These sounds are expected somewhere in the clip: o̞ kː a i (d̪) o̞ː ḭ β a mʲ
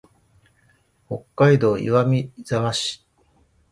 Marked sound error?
no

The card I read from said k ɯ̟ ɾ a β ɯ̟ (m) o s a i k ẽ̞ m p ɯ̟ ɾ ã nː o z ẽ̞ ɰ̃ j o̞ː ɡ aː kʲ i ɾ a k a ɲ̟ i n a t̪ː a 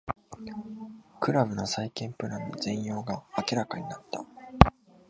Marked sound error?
yes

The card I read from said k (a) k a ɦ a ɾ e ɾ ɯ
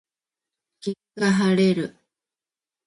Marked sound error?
yes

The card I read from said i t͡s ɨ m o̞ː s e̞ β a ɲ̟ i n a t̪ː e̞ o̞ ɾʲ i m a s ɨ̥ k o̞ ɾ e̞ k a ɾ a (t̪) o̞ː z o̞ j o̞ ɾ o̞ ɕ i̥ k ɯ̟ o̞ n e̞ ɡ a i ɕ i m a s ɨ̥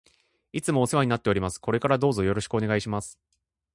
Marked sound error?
yes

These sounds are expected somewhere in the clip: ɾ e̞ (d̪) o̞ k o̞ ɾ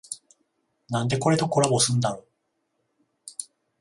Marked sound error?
yes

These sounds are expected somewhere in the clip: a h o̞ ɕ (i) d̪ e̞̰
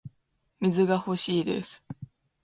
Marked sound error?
yes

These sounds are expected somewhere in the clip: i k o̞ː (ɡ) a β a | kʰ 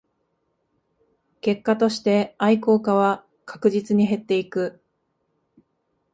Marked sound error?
yes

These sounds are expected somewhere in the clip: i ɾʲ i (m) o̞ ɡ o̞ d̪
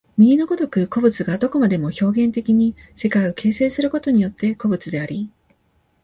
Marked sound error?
yes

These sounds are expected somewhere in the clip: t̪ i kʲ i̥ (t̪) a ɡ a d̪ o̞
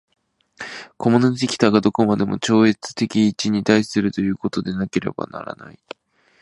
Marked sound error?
no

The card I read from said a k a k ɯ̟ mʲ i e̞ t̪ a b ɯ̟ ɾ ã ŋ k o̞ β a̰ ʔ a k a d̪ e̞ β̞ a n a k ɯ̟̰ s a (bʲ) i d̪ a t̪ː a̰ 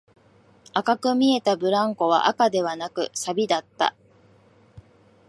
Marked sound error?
no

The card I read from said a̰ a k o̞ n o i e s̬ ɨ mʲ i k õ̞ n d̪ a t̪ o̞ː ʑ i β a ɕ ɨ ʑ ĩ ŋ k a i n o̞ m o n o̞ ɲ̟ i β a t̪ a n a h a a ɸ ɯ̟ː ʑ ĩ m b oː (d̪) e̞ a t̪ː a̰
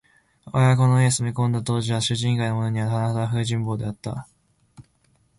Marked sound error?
no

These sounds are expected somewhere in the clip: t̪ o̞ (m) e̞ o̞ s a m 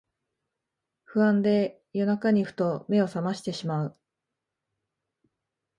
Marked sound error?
no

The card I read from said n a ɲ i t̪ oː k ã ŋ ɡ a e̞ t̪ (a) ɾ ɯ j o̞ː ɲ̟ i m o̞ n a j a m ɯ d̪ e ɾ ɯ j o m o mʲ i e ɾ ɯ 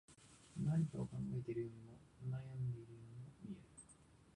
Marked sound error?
yes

